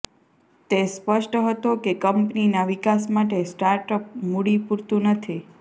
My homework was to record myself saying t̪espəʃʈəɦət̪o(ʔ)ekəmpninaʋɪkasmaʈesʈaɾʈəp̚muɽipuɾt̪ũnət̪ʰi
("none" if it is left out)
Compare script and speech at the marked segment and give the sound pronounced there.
k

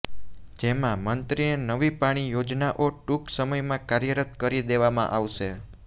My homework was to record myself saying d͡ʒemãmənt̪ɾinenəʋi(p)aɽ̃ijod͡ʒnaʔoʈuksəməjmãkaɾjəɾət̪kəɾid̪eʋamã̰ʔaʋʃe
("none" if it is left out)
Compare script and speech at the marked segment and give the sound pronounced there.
p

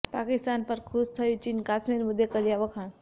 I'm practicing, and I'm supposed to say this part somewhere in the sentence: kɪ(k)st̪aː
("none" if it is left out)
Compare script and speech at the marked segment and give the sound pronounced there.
none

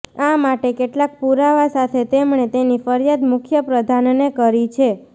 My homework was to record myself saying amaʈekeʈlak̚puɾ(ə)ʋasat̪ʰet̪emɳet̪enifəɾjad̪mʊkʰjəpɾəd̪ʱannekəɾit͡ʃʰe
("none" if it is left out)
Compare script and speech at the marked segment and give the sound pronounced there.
a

